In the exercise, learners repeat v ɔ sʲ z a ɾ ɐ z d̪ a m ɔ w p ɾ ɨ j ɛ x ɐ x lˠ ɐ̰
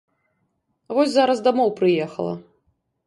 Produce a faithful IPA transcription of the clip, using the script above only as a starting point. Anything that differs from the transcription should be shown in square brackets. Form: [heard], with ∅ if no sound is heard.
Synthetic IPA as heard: v ɔ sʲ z a ɾ ɐ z d̪ a m ɔ w p ɾ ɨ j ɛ x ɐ [∅] lˠ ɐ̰

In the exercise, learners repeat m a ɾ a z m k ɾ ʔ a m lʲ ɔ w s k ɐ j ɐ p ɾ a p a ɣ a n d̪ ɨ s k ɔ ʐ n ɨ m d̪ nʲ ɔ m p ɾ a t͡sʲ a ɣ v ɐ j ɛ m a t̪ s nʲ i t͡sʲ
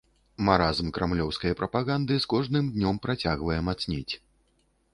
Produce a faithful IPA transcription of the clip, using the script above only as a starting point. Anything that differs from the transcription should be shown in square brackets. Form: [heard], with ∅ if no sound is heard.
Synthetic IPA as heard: m a ɾ a z m k ɾ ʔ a m lʲ ɔ w s k ɐ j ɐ p ɾ [ɐ] p a ɣ a n d̪ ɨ s k ɔ ʐ n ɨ m d̪ nʲ ɔ m p ɾ a t͡sʲ a ɣ v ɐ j ɛ m a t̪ s nʲ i t͡sʲ

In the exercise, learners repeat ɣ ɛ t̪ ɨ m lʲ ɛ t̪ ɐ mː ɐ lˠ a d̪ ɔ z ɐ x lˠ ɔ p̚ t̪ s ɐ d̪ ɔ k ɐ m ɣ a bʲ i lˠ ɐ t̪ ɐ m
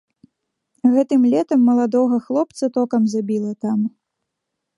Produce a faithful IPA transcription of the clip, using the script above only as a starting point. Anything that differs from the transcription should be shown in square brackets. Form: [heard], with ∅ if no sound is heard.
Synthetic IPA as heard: ɣ ɛ t̪ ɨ m lʲ ɛ t̪ ɐ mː ɐ lˠ a d̪ ɔ [ɣ] ɐ x lˠ ɔ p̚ t̪ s ɐ [t̪] ɔ k ɐ m [z] a bʲ i lˠ ɐ t̪ [a] m

